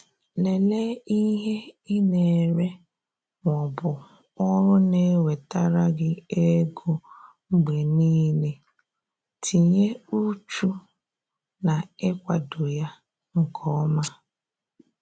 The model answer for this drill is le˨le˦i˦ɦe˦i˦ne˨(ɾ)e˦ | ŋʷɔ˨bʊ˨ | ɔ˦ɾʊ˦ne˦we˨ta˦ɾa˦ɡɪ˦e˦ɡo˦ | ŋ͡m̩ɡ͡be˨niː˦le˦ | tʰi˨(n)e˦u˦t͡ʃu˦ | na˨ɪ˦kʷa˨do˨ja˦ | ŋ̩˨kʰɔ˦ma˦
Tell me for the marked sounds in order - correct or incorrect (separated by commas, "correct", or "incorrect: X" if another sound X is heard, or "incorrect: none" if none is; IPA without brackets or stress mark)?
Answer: correct, incorrect: ɲ